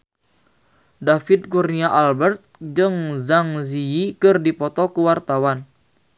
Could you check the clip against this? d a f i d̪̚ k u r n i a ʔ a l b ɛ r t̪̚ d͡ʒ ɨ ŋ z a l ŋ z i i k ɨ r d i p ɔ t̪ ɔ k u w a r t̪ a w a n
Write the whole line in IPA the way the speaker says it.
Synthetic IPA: d a f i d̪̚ k u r n i a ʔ a l b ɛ r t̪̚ d͡ʒ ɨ ŋ z a ŋ z i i k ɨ r d i p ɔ t̪ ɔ k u w a r t̪ a w a n